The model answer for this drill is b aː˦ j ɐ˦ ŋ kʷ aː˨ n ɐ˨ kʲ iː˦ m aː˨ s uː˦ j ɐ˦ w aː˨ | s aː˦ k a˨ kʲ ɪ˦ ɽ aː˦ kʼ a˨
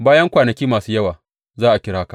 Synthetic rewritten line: b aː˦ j ɐ˦ ŋ kʷ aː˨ n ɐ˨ kʲ iː˦ m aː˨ s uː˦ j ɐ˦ w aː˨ | z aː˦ ʔ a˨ kʲ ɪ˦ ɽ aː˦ k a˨